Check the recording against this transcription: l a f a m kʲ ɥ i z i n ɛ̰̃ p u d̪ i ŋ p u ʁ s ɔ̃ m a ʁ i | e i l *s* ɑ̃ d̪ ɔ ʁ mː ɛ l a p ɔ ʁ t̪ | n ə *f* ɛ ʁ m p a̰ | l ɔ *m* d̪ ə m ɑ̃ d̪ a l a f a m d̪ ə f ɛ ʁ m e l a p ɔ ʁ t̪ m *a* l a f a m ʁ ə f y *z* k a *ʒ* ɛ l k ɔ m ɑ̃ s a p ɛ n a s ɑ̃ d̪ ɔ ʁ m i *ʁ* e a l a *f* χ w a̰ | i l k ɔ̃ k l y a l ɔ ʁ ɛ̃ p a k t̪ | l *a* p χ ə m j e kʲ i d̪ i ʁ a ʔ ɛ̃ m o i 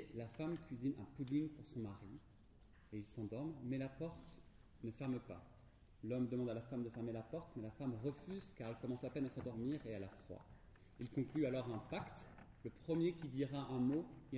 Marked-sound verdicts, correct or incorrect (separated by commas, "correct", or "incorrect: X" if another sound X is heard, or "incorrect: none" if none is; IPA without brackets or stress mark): correct, correct, correct, incorrect: ɛ, correct, incorrect: ʁ, correct, correct, incorrect: ə